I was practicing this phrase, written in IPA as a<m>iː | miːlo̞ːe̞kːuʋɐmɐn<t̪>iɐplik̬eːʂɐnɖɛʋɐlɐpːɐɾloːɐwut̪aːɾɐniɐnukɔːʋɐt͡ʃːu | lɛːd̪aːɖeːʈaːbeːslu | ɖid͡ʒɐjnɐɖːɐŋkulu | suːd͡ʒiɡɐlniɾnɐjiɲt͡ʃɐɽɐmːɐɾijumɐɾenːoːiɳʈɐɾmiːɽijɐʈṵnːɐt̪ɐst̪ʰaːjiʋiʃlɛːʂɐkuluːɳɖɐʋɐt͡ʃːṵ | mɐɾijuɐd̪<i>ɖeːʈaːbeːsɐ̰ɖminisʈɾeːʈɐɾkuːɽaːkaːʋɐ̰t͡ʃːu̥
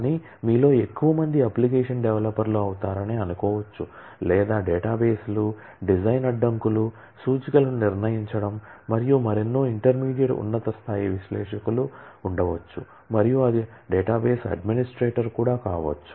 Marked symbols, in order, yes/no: no, no, yes

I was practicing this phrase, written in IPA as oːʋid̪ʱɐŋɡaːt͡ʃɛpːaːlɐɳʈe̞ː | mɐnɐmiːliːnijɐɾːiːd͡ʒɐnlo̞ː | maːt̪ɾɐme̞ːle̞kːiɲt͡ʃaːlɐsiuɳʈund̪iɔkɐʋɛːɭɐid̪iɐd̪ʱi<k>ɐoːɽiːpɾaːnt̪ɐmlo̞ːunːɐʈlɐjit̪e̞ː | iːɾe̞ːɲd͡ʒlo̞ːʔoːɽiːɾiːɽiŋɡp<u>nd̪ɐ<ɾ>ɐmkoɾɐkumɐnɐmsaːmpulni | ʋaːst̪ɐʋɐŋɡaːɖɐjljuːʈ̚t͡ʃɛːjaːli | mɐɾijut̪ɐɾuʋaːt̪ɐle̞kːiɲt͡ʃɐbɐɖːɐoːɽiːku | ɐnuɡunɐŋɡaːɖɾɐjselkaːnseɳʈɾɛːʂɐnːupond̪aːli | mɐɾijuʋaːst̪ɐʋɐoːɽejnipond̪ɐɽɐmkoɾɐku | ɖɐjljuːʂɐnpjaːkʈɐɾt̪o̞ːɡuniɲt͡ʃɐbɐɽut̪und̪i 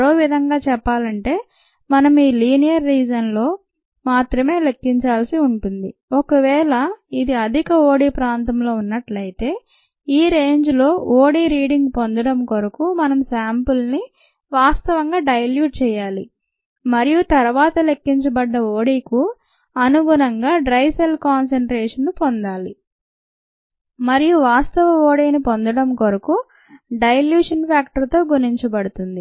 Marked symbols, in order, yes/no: yes, no, no

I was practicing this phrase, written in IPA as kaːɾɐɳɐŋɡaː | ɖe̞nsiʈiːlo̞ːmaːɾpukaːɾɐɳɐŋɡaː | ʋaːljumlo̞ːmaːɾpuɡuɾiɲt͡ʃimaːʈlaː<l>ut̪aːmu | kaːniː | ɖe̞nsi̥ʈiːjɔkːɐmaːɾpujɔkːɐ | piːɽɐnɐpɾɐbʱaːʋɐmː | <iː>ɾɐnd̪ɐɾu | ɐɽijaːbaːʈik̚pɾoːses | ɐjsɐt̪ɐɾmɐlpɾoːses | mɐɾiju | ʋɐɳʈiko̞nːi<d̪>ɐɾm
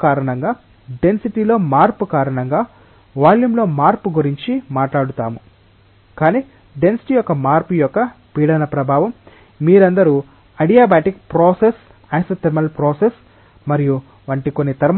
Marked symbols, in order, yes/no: no, yes, no

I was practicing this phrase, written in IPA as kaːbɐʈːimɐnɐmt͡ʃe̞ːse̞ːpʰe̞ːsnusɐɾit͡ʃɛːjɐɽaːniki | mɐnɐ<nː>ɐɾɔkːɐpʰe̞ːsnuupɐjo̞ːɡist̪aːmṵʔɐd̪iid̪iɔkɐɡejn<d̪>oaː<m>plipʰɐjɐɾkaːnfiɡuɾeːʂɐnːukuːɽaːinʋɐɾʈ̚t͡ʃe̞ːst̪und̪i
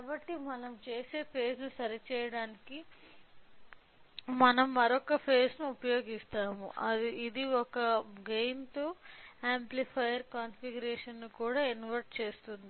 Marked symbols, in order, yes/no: no, no, yes

